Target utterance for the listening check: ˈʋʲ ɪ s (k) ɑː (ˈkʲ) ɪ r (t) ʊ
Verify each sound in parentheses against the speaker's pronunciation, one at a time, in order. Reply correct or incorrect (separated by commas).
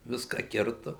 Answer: correct, correct, correct